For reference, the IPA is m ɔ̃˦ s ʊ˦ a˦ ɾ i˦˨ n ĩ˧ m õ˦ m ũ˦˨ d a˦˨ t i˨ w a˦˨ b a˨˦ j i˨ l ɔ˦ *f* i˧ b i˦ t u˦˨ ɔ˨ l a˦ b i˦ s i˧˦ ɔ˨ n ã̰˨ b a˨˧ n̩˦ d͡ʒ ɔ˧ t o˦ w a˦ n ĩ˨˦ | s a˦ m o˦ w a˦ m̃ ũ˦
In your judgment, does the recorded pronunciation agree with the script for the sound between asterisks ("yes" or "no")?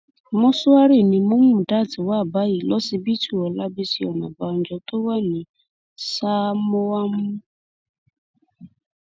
no